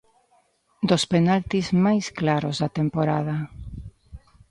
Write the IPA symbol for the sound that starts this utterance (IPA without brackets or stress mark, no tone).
d̪